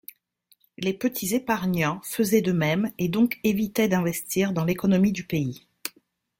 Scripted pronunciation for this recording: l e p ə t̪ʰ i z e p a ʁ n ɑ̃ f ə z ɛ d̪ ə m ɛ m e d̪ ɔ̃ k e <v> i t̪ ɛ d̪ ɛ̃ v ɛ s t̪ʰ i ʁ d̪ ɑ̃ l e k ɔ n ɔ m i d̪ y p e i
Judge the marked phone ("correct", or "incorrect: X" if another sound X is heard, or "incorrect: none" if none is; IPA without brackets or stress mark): correct